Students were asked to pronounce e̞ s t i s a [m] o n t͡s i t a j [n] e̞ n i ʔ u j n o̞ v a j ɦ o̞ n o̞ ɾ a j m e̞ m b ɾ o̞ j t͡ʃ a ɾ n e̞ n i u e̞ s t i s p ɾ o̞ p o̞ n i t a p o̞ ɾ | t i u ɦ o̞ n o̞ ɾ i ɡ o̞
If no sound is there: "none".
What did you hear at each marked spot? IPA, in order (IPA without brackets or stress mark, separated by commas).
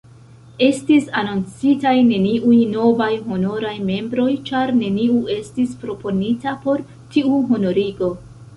n, n